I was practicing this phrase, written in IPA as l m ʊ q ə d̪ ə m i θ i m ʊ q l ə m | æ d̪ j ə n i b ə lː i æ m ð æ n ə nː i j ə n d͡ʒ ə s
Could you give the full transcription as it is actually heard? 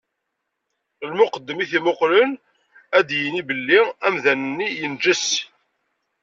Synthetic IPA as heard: l m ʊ q ə d̪ː ə m i θ i m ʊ q l ə n | æ d̪ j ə n i b ə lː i æ m ð æ n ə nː i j ə n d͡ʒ ə s